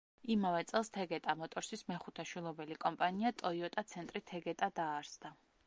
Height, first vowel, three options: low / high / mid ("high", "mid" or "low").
high